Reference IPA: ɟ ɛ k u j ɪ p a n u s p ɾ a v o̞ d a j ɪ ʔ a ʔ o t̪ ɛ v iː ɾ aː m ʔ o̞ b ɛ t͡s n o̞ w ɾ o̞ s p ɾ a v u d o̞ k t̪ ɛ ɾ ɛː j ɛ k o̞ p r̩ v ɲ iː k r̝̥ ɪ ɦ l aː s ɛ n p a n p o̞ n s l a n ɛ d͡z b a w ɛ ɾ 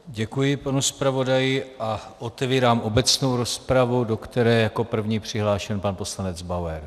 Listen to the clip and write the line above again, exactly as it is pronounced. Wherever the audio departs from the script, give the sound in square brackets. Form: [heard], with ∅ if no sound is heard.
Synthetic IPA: ɟ ɛ k u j ɪ p a n u s p ɾ a v o̞ d a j ɪ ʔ a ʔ o t̪ ɛ v iː ɾ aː m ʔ o̞ b ɛ t͡s n o̞ w ɾ o̞ s p ɾ a v u d o̞ k t̪ ɛ ɾ ɛː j [a] k o̞ p r̩ v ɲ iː [p] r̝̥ ɪ ɦ l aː [ʃ] ɛ n p a n p o̞ [∅] s l a n ɛ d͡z b a w ɛ ɾ